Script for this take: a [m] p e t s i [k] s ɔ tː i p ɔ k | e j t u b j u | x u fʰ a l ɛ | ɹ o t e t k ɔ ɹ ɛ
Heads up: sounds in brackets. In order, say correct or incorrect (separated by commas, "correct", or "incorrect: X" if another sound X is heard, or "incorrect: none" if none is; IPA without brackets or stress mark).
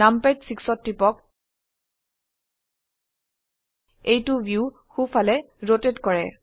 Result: correct, correct